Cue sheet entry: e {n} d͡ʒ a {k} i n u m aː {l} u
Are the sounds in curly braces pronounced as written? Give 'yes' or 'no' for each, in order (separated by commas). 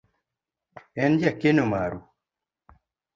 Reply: yes, yes, no